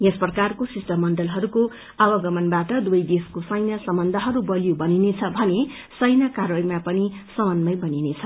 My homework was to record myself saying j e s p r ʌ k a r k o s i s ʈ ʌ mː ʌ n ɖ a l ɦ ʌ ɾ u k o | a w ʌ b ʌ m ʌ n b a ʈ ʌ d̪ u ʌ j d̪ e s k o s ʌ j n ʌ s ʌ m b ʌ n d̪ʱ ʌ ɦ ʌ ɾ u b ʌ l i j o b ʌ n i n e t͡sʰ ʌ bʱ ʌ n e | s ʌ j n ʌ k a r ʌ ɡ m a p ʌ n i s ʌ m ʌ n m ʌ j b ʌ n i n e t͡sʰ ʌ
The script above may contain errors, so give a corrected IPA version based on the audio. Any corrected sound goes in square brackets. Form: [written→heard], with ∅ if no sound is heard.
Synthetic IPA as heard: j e s p r ʌ k a r k o s i s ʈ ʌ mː ʌ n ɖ [a→ʌ] l ɦ ʌ ɾ u k o | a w ʌ [b→ɡ] ʌ m ʌ n b a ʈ ʌ d̪ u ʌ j d̪ e s k o s ʌ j n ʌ s ʌ m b ʌ n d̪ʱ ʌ ɦ ʌ ɾ u b ʌ l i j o b ʌ n i n e t͡sʰ ʌ bʱ ʌ n e | s ʌ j n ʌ k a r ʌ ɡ m a p ʌ n i s ʌ m ʌ n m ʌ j b ʌ n i n e t͡sʰ ʌ

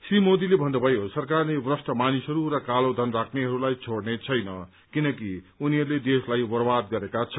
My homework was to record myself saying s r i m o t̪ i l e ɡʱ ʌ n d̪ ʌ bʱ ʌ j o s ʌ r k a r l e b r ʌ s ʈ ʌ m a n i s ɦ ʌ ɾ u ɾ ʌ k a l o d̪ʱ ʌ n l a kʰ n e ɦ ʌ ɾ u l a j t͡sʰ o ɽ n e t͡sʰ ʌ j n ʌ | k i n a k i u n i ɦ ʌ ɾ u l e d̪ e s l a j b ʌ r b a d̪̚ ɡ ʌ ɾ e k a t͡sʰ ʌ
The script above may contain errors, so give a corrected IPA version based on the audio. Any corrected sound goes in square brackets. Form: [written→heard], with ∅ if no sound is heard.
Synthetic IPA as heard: s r i m o [t̪→d̪] i l e [ɡʱ→bʱ] ʌ n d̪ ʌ bʱ ʌ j o s ʌ r k a r l e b r ʌ s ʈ ʌ m a n i s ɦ ʌ ɾ u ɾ ʌ k a l o d̪ʱ ʌ n [l→r] a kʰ n e ɦ ʌ ɾ u l a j t͡sʰ o ɽ n e t͡sʰ ʌ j n ʌ | k i n [a→ʌ] k i u n i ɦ ʌ ɾ u l e d̪ e s l a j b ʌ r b a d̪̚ ɡ ʌ ɾ e k a t͡sʰ ʌ

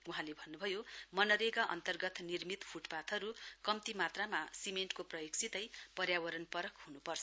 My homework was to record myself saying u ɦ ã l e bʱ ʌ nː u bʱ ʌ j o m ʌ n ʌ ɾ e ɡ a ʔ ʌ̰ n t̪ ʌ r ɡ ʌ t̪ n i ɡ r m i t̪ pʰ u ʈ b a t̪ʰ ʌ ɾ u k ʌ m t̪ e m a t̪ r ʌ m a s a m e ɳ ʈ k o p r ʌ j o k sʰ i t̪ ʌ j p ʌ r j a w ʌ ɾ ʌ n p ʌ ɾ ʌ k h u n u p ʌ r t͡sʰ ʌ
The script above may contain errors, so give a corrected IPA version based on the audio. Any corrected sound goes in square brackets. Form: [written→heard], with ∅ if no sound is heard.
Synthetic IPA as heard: u ɦ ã l e bʱ ʌ nː u bʱ ʌ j o m ʌ n ʌ ɾ e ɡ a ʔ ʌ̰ n t̪ ʌ r ɡ ʌ t̪ n i [ɡ→∅] r m i t̪ pʰ u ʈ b a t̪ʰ ʌ ɾ u k ʌ m t̪ [e→i] m a t̪ r [ʌ→a] m a s [a→i] m e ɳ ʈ k o p r ʌ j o k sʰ i t̪ ʌ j p ʌ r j a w ʌ ɾ ʌ n p ʌ ɾ ʌ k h u n u p ʌ r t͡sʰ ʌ

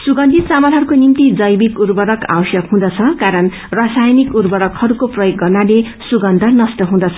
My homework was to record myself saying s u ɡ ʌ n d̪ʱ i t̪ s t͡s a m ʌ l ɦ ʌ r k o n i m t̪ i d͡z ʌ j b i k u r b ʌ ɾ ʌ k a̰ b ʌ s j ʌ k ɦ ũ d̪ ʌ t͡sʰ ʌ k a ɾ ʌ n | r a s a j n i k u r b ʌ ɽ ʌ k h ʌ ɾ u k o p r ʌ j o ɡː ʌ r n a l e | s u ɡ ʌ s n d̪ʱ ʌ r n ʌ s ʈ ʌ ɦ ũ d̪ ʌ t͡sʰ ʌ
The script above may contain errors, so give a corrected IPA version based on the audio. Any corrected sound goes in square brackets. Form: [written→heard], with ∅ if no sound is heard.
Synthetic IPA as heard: s u ɡ ʌ n d̪ʱ i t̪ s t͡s a m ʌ l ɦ ʌ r k o n i m t̪ i d͡z ʌ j b i k u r b ʌ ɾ ʌ k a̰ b ʌ s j ʌ k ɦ ũ d̪ ʌ t͡sʰ ʌ k a ɾ ʌ n | r a s a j n i k u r b ʌ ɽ ʌ k h ʌ ɾ u k o p r ʌ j o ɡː ʌ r n a l e | s u ɡ ʌ [s→∅] n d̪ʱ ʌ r n ʌ s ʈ ʌ ɦ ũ d̪ ʌ t͡sʰ ʌ

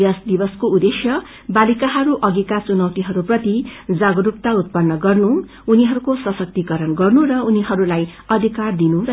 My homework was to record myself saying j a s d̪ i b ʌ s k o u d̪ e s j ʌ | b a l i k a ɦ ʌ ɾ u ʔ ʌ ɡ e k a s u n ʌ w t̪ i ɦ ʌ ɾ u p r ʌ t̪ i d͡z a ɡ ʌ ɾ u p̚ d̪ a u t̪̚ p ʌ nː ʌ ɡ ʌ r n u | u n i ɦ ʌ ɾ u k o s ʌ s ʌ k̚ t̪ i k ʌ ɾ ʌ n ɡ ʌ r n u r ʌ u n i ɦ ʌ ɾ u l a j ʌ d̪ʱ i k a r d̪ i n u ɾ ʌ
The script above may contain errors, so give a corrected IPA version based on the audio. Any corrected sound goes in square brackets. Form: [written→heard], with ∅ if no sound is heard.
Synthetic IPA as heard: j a s d̪ i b ʌ s k o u d̪ e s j ʌ | b a l i k a ɦ ʌ ɾ u ʔ ʌ ɡ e k a [s→t͡s] u n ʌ w t̪ i ɦ ʌ ɾ u p r ʌ t̪ i d͡z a ɡ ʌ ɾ u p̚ [d̪→t̪] a u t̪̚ p ʌ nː ʌ ɡ ʌ r n u | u n i ɦ ʌ ɾ u k o s ʌ s ʌ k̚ t̪ i k ʌ ɾ ʌ n ɡ ʌ r n u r ʌ u n i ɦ ʌ ɾ u l a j ʌ d̪ʱ i k a r d̪ i n u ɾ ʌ

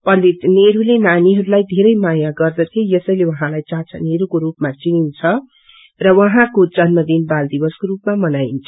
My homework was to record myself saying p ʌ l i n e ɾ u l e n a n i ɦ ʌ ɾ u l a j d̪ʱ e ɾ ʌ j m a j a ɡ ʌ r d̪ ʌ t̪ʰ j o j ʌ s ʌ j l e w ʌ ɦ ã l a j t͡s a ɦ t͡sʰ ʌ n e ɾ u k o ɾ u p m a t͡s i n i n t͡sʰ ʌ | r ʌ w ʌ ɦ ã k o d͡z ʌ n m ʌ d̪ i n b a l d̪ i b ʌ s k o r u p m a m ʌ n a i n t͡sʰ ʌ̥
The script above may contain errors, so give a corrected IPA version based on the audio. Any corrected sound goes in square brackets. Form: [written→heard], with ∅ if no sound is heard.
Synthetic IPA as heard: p ʌ l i n e ɾ u l e n a n i ɦ ʌ ɾ u l a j d̪ʱ e ɾ ʌ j m a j a ɡ ʌ r d̪ ʌ t̪ʰ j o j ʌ s ʌ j l e w ʌ ɦ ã l a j t͡s a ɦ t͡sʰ ʌ n e ɾ u k o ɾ u p m a t͡s i n i n t͡sʰ ʌ | r ʌ w ʌ ɦ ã k o d͡z ʌ n m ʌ d̪ i n b a l d̪ i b ʌ s k o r u p m a m ʌ n a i n t͡sʰ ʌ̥

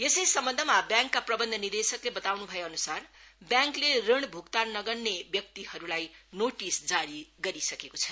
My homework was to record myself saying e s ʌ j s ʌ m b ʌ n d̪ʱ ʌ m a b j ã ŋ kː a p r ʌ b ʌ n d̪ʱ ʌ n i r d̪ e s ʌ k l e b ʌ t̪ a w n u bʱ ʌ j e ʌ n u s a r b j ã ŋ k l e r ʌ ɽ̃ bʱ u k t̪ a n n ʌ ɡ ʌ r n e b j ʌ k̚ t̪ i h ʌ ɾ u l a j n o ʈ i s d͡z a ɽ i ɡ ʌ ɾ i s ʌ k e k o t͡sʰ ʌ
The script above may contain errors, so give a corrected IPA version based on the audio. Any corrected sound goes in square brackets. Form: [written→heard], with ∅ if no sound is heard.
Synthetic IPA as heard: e s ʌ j s ʌ m b ʌ n d̪ʱ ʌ m a b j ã ŋ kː a p r ʌ b ʌ n d̪ʱ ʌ n i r d̪ e s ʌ k l e b ʌ t̪ a w n u bʱ ʌ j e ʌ n u s a r b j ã ŋ k l e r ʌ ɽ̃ bʱ u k t̪ a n n ʌ ɡ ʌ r n e b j ʌ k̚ t̪ i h ʌ ɾ u l a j n o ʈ i s d͡z a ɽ i ɡ ʌ ɾ i s ʌ k e k o t͡sʰ ʌ

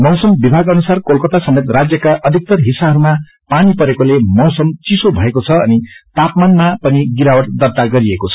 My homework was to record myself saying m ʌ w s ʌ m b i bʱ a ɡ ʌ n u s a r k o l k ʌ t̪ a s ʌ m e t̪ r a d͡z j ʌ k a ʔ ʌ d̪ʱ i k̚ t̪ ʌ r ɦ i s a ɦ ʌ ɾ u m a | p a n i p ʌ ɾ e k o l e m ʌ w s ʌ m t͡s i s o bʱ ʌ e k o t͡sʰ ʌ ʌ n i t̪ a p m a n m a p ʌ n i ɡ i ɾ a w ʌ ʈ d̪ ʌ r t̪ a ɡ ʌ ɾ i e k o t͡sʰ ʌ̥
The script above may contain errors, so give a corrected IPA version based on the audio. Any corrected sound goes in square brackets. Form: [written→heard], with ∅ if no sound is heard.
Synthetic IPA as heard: m ʌ w s ʌ m b i bʱ a ɡ ʌ n u s a r k o l k ʌ t̪ a s ʌ m e t̪ r a d͡z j ʌ k a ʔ ʌ d̪ʱ i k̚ t̪ ʌ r ɦ i s a ɦ ʌ ɾ u m a | p a n i p ʌ ɾ e k o l e m ʌ w s ʌ m t͡s i s o bʱ ʌ e k o t͡sʰ ʌ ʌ n i t̪ a p m a n m a p ʌ n i ɡ i ɾ a w ʌ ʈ d̪ ʌ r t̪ a ɡ ʌ ɾ i e k o t͡sʰ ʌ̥

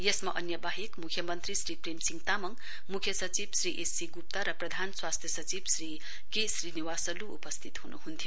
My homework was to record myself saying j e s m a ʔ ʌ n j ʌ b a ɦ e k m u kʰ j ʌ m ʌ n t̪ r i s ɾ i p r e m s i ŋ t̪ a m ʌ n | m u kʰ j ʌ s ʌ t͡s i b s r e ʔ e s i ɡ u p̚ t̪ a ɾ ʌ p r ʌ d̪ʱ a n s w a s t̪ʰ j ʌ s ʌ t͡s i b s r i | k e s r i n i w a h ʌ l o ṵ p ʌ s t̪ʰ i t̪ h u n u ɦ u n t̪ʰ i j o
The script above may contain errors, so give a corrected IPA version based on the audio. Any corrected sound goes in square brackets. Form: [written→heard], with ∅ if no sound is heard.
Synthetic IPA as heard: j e s m a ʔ ʌ n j ʌ b a ɦ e k m u kʰ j ʌ m ʌ n t̪ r i s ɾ i p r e m s i ŋ t̪ a m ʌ [n→ŋ] | m u kʰ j ʌ s ʌ t͡s i b s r [e→i] ʔ e s i ɡ u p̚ t̪ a ɾ ʌ p r ʌ d̪ʱ a n s w a s t̪ʰ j ʌ s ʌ t͡s i b s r i | k e s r i n i w a [h→s] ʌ l [o→u] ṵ p ʌ s t̪ʰ i t̪ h u n u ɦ u n t̪ʰ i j o

